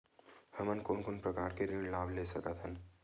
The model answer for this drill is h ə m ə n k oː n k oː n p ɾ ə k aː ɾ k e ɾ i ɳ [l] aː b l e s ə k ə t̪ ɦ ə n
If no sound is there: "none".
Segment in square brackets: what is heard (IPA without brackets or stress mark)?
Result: l